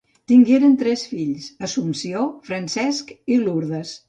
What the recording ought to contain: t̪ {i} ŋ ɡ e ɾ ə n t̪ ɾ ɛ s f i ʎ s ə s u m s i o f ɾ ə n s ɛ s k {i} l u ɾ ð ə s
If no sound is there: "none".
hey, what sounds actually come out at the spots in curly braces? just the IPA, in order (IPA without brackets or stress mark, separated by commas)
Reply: i, i